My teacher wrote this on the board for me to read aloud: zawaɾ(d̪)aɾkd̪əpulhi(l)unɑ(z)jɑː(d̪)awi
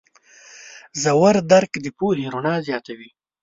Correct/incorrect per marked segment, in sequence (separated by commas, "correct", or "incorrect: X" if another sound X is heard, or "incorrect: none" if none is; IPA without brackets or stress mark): correct, incorrect: ɾ, correct, incorrect: t̪